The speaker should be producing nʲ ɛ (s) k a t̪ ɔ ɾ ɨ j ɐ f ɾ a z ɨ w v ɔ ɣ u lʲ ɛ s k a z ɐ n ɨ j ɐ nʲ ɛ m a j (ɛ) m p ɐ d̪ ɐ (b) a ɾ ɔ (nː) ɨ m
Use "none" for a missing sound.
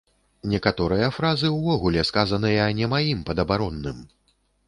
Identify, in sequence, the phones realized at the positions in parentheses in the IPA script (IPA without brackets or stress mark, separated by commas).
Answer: none, i, b, nː